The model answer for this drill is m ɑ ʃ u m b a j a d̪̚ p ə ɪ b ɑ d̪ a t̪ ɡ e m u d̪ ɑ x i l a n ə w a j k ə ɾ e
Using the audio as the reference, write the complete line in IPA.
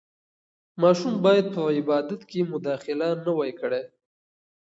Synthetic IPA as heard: m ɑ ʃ u m b ɑ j a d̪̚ p ə ɪ b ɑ d̪ a t̪ k e m ʊ d̪ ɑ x ɪ l a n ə w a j k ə ɽ e